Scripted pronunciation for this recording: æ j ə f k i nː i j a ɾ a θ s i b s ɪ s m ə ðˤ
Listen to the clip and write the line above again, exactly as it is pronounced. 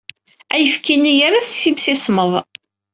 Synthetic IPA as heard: æ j ə f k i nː i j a ɾ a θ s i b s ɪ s m ə ðˤ